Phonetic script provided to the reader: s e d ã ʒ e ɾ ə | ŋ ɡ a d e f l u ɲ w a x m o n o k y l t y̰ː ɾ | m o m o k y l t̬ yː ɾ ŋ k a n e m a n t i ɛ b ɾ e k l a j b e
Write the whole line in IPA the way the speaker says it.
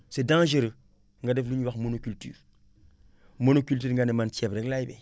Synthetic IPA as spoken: s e d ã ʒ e ɾ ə | ŋ ɡ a d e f l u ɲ w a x m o n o k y l t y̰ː ɾ | m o n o k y l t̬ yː ɾ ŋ ɡ a n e m a n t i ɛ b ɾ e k l a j b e